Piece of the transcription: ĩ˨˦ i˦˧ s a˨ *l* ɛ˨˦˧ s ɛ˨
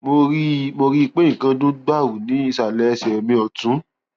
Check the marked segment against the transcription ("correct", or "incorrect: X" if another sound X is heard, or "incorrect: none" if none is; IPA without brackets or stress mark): correct